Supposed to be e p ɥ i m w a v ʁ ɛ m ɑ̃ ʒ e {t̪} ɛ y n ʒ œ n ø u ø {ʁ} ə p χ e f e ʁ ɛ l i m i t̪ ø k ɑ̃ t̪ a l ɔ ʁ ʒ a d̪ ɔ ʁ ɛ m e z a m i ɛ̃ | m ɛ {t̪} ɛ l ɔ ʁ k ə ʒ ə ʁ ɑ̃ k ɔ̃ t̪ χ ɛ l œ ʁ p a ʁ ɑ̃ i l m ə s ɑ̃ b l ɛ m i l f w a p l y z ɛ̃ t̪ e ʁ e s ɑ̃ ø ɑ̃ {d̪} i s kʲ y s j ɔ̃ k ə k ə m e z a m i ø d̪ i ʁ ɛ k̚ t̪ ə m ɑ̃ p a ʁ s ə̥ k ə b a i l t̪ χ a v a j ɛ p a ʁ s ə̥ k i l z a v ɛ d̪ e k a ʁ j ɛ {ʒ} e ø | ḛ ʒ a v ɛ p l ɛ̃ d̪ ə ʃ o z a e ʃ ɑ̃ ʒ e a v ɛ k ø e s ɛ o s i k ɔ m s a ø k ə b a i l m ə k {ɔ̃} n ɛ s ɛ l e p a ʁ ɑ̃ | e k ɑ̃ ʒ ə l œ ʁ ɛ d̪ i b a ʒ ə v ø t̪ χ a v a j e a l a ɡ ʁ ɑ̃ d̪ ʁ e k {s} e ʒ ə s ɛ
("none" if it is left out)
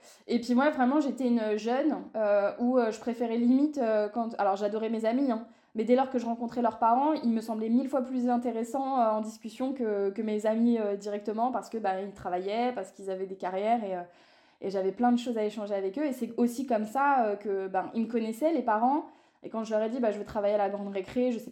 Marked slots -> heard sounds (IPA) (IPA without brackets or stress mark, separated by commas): t̪, ʒ, d̪, d̪, ʁ, ɔ, χ